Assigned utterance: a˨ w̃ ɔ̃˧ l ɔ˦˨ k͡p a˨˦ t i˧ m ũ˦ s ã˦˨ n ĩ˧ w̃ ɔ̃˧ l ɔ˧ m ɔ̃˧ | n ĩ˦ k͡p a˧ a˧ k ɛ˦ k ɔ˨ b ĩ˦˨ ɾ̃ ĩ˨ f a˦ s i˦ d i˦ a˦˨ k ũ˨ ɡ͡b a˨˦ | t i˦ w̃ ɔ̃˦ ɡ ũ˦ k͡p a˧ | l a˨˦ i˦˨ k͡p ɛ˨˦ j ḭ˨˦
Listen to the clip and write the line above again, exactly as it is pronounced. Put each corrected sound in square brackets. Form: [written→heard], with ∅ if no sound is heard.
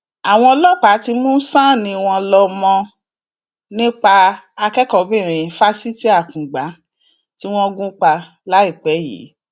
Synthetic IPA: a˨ w̃ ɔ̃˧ l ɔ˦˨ k͡p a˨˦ t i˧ m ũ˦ s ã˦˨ n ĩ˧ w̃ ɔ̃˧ l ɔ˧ m ɔ̃˧ | n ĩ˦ k͡p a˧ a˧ k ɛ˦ k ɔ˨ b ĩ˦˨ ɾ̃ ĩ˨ f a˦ s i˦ [d→t] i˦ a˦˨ k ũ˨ ɡ͡b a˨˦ | t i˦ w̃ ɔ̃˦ ɡ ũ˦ k͡p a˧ | l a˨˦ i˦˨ k͡p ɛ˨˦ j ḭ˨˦